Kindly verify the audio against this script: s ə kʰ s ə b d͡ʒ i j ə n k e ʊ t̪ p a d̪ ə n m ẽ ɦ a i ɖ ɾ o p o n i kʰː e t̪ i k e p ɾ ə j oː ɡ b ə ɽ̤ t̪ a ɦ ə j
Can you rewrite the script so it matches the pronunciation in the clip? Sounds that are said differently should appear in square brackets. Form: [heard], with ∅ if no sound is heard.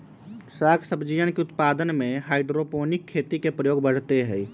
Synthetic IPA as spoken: s [a] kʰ s ə b d͡ʒ i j ə n k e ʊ t̪ p a d̪ ə n m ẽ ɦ a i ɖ ɾ o p o n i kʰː e t̪ i k e p ɾ ə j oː ɡ b ə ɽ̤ t̪ [e] ɦ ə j